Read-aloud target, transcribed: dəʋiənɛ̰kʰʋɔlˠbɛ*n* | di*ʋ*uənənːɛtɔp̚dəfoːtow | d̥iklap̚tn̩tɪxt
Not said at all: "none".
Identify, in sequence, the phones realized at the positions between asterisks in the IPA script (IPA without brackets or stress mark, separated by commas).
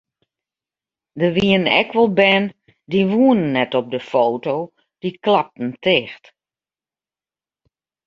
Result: n, ʋ